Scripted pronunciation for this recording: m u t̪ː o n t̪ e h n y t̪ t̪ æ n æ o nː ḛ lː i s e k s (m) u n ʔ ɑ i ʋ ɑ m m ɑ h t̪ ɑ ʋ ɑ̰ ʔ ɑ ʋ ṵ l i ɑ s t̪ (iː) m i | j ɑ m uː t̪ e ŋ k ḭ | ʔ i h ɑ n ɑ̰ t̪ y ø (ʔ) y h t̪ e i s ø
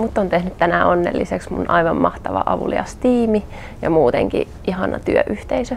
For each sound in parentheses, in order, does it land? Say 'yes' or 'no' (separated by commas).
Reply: yes, yes, yes